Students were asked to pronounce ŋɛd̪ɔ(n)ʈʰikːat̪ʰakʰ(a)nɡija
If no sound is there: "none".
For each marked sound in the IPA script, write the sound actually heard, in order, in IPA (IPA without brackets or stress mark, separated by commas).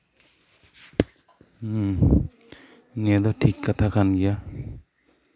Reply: none, a